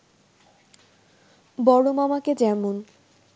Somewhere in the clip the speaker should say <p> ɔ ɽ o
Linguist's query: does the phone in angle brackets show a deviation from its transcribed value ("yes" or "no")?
yes